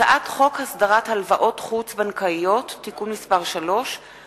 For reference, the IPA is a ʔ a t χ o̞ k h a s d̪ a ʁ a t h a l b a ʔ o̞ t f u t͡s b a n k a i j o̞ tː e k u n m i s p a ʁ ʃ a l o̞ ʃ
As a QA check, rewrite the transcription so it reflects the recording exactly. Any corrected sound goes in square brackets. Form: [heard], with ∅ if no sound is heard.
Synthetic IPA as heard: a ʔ a t χ o̞ k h a s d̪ a ʁ a t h a l [v] a ʔ o̞ t [χ] u t͡s b a n k a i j o̞ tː [i] k u n m i s p a ʁ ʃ a l o̞ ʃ